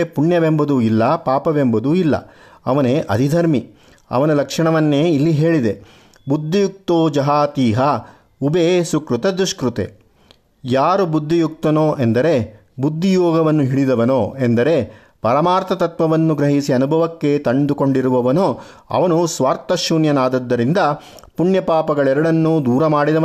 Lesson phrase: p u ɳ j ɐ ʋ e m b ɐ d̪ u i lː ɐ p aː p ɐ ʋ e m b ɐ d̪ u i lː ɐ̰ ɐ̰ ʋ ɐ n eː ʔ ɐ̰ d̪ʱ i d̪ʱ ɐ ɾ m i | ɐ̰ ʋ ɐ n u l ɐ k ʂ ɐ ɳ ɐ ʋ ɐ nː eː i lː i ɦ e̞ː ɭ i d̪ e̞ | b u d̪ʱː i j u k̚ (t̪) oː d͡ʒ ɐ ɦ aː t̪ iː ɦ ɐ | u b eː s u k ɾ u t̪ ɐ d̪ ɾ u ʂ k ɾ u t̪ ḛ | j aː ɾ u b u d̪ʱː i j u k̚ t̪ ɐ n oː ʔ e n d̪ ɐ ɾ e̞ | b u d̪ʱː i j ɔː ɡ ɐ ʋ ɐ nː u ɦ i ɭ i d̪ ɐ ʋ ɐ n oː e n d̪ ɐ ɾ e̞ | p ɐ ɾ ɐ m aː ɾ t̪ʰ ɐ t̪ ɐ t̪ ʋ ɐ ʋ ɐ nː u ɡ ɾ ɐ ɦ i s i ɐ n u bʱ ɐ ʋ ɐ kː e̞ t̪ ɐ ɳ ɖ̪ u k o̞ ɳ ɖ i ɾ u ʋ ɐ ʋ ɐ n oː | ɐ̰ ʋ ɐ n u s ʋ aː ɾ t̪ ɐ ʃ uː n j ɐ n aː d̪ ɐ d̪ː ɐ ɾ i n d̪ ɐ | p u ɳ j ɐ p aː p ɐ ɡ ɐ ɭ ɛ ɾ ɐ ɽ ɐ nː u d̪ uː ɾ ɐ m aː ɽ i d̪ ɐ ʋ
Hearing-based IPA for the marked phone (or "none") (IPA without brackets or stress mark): t̪